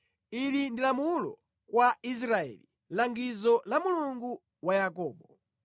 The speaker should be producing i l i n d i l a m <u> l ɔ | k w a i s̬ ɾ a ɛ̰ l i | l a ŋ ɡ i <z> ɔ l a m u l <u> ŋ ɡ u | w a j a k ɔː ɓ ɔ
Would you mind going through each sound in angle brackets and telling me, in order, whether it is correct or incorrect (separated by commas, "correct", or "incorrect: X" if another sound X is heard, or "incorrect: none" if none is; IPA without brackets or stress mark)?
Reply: correct, correct, correct